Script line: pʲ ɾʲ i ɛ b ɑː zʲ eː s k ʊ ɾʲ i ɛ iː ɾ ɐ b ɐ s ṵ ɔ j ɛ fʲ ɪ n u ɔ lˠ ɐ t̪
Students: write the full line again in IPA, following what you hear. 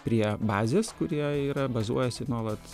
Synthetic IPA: pʲ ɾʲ i ɛ b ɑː zʲ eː s k ʊ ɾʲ i ɛ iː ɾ ɐ b ɐ z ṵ ɔ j ɛ sʲ ɪ n u ɔ lˠ ɐ t̪